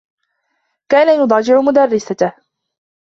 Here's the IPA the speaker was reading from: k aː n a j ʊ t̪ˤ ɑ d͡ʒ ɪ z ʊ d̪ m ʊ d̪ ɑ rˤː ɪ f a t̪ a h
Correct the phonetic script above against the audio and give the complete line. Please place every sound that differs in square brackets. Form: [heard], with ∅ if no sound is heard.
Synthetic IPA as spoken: k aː n a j ʊ [d̪ˤ] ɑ d͡ʒ ɪ [ʕ] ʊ [∅] m ʊ d̪ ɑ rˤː ɪ [s] a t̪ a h